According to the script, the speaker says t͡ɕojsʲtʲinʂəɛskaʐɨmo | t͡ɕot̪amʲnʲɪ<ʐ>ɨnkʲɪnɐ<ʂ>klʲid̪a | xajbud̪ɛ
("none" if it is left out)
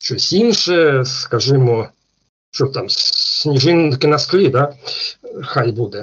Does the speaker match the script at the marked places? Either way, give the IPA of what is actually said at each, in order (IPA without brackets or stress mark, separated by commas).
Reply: ʐ, s